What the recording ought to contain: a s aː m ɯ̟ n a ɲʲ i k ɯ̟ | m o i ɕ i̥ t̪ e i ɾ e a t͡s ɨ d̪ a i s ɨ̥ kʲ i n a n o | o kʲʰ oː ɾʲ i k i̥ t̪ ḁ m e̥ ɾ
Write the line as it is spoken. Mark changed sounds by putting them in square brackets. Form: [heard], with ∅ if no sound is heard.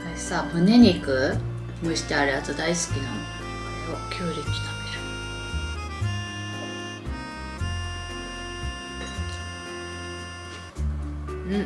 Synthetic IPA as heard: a s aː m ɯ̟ n [e] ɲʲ i k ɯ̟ | m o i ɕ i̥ t̪ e [a] ɾ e a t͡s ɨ d̪ a i s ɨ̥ kʲ i n a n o | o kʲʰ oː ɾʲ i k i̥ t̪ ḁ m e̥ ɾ